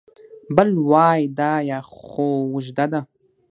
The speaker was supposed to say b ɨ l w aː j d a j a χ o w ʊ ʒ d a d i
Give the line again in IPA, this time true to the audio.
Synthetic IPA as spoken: b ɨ l w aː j d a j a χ o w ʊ ʒ d a d a